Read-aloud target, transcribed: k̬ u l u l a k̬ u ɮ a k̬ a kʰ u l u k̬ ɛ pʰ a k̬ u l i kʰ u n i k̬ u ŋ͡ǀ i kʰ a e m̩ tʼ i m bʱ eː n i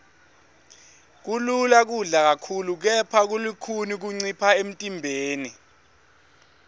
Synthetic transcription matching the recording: k̬ u l u l a k̬ u ɮ a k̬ a kʰ u l u k̬ ɛ pʰ a k̬ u l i kʰ u n i k̬ u ŋ͡ǀ i pʰ a e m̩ tʼ i m bʱ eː n i